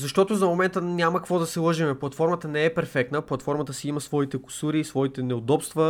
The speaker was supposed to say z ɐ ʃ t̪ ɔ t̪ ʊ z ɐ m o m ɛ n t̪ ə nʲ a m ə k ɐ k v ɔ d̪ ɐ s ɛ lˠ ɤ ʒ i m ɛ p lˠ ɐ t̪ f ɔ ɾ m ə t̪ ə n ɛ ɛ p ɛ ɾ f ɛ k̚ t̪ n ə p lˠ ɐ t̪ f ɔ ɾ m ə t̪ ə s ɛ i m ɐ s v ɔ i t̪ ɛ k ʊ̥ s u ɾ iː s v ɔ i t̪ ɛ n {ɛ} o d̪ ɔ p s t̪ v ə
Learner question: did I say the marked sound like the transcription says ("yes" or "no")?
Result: yes